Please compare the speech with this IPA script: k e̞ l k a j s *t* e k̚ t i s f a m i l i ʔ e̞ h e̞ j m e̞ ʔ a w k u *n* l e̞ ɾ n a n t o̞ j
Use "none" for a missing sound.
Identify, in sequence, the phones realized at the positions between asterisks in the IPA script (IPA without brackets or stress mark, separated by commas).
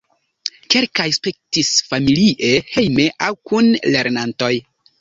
p, n